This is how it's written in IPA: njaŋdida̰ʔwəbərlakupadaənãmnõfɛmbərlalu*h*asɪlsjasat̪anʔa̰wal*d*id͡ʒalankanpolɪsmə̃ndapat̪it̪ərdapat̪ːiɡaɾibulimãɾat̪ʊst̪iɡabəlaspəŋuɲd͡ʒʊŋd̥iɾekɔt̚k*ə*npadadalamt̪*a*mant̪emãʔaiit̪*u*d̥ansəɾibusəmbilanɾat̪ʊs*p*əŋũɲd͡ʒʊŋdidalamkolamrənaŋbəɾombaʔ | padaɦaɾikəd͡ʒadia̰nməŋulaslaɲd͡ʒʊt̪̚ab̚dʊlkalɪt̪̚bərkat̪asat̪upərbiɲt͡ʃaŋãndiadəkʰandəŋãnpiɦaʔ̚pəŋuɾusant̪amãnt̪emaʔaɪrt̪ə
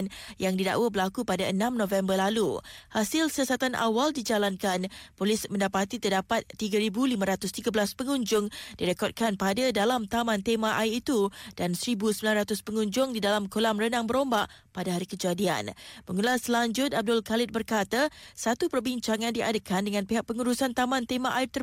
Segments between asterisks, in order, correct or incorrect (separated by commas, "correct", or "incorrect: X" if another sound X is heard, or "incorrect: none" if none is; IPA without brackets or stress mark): correct, correct, incorrect: a, correct, correct, correct